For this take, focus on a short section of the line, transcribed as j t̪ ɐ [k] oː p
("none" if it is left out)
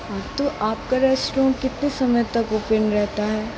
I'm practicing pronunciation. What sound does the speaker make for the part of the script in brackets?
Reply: k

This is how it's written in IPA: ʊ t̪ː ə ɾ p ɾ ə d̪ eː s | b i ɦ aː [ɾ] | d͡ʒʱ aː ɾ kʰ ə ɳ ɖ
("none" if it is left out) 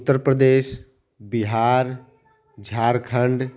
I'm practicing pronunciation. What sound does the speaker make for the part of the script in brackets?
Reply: ɾ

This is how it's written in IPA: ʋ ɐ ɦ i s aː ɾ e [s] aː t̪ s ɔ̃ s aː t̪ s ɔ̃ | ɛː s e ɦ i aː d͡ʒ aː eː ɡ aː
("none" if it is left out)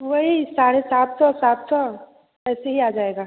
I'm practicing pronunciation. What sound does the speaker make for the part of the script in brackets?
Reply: s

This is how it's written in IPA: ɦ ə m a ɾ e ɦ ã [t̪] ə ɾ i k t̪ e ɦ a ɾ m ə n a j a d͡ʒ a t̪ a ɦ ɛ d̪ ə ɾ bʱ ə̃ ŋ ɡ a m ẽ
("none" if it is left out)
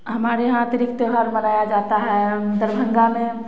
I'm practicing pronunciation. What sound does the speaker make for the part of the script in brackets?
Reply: t̪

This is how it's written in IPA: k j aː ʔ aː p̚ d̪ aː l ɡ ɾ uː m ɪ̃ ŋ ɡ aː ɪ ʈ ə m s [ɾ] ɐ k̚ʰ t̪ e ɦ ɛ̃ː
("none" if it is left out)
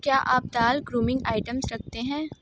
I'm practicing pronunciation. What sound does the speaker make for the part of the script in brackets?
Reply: ɾ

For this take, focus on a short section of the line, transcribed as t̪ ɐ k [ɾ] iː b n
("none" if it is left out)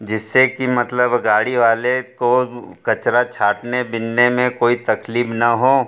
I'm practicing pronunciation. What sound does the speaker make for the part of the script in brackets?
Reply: l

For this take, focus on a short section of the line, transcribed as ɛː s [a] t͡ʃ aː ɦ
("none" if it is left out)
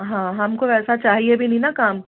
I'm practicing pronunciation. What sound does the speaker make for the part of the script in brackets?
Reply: a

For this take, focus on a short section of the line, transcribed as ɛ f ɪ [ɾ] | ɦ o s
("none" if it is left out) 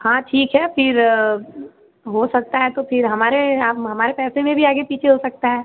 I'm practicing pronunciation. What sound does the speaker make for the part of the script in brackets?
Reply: ɾ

